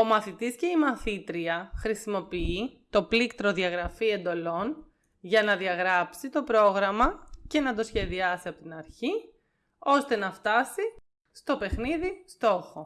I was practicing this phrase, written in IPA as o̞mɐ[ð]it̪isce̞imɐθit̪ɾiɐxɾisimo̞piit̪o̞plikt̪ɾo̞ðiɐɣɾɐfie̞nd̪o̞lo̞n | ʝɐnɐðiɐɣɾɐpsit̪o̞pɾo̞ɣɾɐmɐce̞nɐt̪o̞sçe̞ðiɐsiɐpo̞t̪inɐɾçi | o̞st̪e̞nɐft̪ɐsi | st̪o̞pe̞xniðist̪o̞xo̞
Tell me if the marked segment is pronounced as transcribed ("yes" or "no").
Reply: no